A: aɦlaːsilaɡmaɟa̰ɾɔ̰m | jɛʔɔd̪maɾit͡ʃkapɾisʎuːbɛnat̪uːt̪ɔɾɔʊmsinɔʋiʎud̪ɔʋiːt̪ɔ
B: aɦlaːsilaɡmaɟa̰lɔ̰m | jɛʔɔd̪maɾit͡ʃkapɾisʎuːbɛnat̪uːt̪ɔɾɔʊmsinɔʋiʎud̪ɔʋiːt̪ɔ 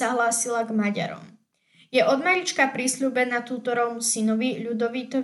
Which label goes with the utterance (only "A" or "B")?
A